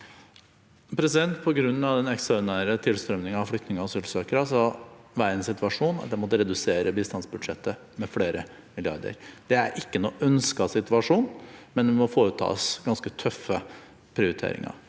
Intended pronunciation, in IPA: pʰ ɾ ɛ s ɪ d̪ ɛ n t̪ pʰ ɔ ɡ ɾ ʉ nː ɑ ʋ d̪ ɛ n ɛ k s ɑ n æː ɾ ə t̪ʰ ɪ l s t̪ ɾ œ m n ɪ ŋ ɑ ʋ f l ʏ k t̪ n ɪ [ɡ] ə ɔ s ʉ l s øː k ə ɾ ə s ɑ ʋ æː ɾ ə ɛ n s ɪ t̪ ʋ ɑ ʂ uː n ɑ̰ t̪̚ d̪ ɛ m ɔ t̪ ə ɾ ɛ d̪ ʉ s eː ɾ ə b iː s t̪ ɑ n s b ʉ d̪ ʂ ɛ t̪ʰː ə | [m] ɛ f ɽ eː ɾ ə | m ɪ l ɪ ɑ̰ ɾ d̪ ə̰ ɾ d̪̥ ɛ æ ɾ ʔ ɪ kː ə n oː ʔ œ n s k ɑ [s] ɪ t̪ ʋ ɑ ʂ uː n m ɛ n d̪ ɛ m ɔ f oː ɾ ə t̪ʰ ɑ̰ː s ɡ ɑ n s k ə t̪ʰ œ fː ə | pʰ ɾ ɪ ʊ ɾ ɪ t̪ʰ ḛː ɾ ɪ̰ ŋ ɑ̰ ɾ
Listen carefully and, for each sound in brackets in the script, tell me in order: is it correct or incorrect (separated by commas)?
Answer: incorrect, correct, correct